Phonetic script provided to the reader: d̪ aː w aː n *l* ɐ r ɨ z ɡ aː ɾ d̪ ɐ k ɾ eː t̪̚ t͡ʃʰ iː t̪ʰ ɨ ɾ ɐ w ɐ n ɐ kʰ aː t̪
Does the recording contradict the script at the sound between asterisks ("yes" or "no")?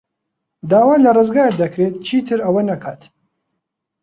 no